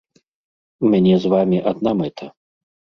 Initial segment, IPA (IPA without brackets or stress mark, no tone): mʲ